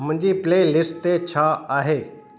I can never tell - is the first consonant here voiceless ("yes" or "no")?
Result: no